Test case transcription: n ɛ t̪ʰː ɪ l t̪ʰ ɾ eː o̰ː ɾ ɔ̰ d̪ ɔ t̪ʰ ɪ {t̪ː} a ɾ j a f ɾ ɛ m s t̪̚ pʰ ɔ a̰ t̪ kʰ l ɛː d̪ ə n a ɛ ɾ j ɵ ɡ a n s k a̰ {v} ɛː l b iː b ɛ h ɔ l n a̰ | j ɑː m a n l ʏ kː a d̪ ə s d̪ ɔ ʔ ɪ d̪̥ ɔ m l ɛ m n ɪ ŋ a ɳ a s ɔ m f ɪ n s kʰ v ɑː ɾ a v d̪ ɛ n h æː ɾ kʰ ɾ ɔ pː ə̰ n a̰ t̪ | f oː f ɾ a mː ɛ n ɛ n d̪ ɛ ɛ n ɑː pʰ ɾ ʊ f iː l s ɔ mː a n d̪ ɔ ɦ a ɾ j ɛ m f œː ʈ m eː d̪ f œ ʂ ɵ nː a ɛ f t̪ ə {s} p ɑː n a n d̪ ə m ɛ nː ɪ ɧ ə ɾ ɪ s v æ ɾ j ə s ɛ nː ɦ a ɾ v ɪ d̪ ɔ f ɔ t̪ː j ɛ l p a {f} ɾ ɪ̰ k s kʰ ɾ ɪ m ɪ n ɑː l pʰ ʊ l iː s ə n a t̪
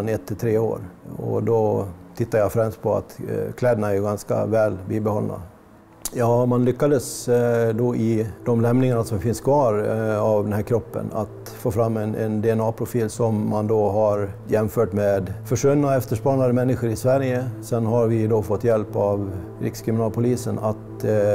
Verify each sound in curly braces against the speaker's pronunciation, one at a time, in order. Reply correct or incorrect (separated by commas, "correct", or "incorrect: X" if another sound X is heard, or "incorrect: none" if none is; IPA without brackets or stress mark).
correct, correct, incorrect: ʂ, incorrect: v